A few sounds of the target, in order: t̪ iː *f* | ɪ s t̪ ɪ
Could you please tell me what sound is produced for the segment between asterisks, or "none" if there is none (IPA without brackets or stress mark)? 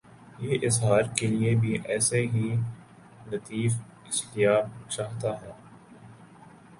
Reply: f